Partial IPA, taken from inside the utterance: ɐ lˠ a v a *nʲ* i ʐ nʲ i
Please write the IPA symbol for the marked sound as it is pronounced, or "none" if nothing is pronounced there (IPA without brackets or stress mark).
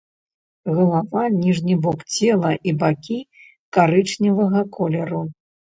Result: nʲ